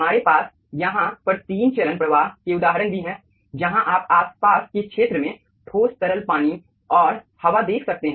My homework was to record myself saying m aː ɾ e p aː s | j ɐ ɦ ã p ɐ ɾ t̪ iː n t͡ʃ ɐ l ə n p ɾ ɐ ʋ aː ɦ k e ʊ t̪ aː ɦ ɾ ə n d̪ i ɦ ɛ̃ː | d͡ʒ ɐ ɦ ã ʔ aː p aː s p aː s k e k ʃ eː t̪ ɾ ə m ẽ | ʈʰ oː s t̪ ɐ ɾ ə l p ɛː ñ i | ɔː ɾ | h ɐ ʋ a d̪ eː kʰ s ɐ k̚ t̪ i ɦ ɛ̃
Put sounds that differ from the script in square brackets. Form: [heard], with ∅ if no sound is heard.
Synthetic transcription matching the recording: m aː ɾ e p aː s | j ɐ ɦ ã p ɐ ɾ t̪ iː n t͡ʃ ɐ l ə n p ɾ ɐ ʋ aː ɦ k e ʊ [d̪] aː ɦ ɾ ə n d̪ i ɦ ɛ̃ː | d͡ʒ ɐ ɦ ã ʔ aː p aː s p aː s k e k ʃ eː t̪ ɾ ə m ẽ | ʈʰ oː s t̪ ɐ ɾ ə l p [aː] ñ i | ɔː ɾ | h ɐ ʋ a d̪ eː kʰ s ɐ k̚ t̪ [e] ɦ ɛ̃